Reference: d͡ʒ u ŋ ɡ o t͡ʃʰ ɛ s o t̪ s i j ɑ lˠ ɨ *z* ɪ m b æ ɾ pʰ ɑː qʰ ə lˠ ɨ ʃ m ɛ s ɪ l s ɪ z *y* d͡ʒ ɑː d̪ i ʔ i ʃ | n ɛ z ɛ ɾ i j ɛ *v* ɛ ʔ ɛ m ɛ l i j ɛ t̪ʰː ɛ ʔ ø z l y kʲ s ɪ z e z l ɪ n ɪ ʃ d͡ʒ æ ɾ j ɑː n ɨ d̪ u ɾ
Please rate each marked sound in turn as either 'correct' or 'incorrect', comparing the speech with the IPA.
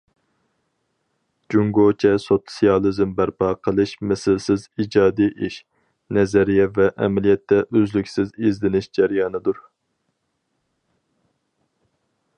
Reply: correct, incorrect, correct

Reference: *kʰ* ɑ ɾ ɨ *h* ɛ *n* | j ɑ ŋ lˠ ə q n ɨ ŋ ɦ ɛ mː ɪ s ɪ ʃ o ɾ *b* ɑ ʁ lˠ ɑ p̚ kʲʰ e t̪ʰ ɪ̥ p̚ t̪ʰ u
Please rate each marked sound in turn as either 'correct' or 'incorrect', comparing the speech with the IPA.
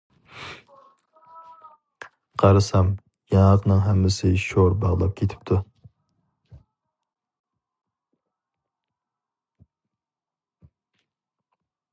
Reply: incorrect, incorrect, incorrect, correct

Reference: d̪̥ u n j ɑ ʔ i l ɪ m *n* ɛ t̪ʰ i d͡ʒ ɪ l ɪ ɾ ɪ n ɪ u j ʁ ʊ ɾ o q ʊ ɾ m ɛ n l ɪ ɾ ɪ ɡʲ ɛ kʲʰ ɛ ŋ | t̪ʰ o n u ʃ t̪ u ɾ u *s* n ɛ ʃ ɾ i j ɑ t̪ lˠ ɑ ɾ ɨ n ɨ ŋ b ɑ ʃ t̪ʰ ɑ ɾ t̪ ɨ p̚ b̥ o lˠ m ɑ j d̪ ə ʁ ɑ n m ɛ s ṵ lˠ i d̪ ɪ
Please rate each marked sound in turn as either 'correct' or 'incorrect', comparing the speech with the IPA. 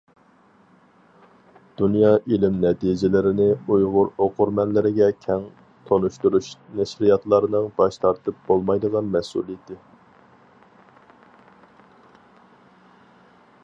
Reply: correct, incorrect

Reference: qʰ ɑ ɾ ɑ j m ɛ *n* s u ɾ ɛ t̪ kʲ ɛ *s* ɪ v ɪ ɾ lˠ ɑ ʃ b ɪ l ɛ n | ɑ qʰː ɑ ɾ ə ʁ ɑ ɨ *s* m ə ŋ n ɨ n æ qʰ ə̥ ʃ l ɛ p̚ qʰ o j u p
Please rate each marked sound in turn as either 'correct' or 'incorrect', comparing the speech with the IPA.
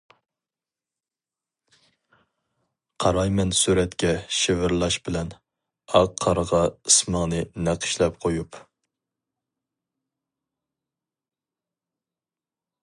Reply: correct, incorrect, correct

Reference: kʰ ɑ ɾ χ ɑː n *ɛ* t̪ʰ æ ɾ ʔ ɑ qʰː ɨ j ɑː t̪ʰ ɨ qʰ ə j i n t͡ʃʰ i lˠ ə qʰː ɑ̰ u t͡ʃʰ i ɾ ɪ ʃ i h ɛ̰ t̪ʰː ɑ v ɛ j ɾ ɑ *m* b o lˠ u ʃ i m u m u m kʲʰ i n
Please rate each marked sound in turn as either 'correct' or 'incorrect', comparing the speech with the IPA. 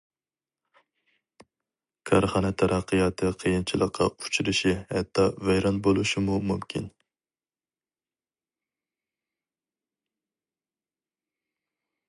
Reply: correct, incorrect

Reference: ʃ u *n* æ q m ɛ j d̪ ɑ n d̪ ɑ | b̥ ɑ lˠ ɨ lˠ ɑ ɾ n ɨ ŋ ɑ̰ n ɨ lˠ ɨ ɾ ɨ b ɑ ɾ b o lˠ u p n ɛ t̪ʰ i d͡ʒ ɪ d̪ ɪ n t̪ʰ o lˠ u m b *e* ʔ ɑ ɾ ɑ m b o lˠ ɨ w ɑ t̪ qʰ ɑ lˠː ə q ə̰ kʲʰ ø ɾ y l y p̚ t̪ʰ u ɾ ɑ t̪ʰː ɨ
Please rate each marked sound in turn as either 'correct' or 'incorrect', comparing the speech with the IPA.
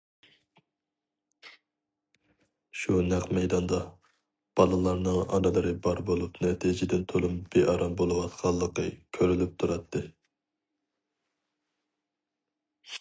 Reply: correct, correct

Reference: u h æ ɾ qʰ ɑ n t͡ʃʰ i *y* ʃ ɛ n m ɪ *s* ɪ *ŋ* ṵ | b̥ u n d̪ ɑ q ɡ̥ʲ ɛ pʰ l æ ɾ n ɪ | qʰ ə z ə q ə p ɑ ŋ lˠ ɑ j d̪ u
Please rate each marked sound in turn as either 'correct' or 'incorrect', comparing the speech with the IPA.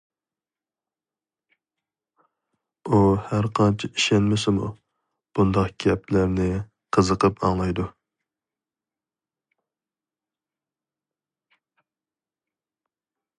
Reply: incorrect, correct, incorrect

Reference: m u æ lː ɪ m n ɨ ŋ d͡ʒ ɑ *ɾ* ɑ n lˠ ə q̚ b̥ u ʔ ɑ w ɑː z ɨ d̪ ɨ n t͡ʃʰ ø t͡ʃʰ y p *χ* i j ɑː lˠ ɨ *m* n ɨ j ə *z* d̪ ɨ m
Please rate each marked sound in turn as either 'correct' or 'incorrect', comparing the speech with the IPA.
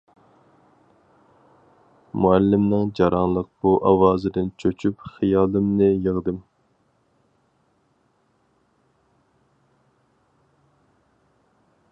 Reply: correct, correct, correct, incorrect

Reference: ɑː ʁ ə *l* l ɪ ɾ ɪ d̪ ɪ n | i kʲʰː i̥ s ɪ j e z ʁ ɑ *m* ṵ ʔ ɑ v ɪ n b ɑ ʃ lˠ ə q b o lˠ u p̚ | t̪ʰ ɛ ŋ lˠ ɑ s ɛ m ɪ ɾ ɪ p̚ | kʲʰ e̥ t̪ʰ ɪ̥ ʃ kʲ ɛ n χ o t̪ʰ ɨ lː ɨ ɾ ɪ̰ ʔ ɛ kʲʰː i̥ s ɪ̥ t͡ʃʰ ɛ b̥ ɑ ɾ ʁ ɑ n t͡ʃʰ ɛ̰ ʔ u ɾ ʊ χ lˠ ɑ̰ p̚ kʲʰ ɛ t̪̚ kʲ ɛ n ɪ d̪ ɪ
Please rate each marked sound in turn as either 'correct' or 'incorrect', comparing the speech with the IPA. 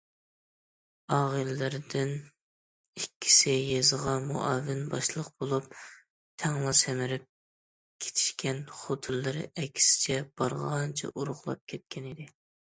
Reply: correct, correct

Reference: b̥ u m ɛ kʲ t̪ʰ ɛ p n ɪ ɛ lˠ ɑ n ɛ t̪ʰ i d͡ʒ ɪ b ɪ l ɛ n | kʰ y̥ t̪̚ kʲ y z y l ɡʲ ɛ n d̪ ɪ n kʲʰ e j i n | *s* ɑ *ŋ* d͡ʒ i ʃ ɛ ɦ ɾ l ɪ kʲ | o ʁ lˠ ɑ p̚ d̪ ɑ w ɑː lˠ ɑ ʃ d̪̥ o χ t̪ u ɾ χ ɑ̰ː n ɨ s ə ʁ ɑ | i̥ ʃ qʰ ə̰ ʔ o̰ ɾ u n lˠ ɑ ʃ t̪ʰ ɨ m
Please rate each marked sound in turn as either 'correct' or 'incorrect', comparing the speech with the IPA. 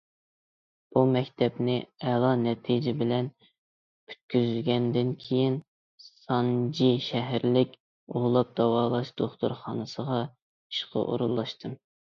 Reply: correct, incorrect

